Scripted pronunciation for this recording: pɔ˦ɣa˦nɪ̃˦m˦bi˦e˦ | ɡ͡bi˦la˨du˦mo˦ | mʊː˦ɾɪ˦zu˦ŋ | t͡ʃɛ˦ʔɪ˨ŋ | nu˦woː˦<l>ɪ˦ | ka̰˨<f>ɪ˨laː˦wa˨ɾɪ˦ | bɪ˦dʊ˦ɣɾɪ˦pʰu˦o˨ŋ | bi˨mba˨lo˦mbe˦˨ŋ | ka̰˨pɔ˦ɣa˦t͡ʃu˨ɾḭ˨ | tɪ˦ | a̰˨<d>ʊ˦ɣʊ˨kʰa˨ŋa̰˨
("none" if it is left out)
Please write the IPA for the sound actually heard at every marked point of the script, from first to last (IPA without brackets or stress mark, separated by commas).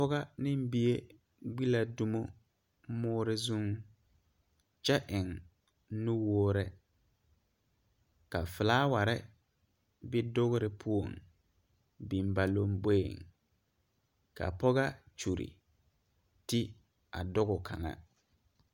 ɾ, f, d